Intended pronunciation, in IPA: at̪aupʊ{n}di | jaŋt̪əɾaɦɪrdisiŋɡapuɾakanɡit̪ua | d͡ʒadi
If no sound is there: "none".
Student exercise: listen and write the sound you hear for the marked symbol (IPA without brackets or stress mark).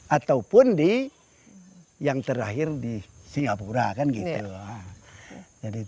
n